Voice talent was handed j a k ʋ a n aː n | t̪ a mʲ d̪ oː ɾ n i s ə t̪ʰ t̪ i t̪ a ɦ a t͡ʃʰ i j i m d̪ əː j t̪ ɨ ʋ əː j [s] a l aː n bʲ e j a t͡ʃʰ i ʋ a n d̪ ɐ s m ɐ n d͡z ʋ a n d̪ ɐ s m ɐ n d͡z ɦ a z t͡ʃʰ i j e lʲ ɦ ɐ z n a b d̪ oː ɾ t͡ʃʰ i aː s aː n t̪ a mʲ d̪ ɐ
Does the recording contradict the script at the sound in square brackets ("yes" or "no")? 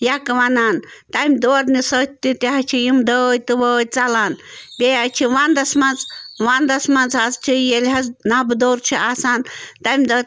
yes